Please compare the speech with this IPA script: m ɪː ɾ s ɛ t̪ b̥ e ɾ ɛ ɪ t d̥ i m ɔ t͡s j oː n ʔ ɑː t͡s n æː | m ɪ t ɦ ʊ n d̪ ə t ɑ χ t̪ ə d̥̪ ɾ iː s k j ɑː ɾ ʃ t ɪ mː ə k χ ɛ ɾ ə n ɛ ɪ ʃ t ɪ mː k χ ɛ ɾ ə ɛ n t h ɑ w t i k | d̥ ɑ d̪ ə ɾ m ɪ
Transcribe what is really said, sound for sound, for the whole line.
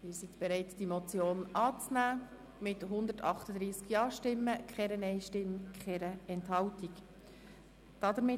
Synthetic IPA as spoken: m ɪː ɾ s i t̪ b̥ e ɾ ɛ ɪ t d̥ i m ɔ t͡s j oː n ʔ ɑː t͡s n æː | m ɪ t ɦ ʊ n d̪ ə t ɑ χ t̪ ə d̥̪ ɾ iː s k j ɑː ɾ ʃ t ɪ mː ə k χ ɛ ɾ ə n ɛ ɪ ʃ t ɪ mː k χ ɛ ɾ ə ɛ n t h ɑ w t i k | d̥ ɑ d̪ ə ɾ m ɪ